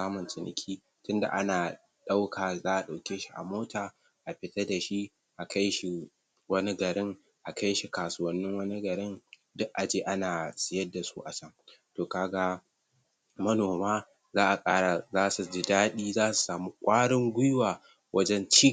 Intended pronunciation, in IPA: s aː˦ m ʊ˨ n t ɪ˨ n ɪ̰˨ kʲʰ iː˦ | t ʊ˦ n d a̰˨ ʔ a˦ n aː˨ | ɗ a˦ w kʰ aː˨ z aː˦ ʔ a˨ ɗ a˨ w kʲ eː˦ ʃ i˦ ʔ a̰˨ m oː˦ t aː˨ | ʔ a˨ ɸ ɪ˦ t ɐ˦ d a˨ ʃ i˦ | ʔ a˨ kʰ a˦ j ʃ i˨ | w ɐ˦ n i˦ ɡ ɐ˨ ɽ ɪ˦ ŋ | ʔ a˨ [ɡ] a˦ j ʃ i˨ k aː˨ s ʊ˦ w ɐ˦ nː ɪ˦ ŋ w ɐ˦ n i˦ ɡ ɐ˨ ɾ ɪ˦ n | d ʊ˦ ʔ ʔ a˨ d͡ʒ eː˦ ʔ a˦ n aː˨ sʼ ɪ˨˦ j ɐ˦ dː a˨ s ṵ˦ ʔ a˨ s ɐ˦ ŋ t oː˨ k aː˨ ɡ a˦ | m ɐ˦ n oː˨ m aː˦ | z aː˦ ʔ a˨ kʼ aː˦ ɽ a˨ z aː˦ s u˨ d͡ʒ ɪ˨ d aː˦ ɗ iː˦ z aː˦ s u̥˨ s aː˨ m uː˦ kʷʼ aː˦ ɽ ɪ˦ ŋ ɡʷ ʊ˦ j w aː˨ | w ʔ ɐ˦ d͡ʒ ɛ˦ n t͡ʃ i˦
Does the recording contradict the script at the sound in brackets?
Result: yes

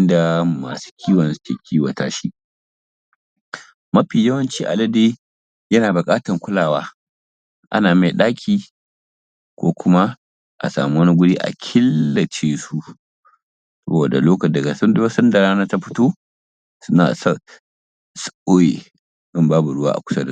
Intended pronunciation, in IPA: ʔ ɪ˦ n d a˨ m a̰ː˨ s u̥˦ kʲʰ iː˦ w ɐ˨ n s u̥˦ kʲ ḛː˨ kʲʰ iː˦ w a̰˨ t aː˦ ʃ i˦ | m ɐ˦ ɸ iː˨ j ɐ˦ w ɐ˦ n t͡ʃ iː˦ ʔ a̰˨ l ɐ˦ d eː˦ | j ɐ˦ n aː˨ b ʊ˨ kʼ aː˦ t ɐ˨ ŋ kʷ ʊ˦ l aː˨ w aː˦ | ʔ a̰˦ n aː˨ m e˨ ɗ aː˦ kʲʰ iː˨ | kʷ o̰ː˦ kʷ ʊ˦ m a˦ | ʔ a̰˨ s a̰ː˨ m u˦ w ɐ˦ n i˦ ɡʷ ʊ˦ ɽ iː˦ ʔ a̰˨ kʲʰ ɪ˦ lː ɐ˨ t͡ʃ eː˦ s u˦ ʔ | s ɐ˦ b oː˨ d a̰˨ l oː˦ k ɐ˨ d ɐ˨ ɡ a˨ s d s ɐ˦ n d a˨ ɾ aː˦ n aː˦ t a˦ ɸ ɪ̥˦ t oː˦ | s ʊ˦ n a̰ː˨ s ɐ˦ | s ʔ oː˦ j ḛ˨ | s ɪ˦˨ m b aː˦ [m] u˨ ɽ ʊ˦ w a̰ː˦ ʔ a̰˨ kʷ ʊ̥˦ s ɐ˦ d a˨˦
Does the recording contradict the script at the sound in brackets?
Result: yes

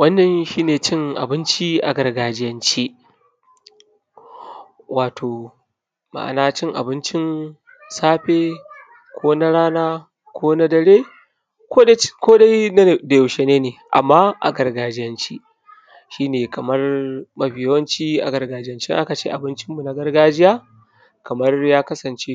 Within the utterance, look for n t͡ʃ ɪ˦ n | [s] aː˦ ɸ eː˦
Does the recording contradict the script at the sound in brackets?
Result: no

